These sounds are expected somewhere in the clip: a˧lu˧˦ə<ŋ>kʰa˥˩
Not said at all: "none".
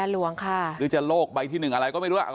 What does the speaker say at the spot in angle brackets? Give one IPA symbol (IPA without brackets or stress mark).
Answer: ŋ